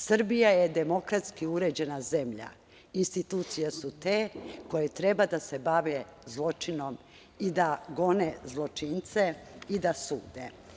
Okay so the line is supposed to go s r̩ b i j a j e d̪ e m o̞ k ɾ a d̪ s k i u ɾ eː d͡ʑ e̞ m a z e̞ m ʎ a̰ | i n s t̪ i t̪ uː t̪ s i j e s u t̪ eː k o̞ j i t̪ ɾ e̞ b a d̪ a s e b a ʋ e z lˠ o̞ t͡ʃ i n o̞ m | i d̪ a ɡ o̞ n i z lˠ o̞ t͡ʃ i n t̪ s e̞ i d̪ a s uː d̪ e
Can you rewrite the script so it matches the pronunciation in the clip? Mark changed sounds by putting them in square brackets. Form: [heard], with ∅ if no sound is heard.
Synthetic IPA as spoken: s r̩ b i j a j e d̪ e m o̞ k ɾ a [t̪] s k i u ɾ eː d͡ʑ e̞ [n] a z e̞ m ʎ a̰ | i n s t̪ i t̪ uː t̪ s i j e s u t̪ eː k o̞ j [e] t̪ ɾ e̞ b a d̪ a s e b a ʋ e z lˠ o̞ t͡ʃ i n o̞ m | i d̪ a ɡ o̞ n [e] z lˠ o̞ t͡ʃ i n t̪ s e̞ i d̪ a s uː d̪ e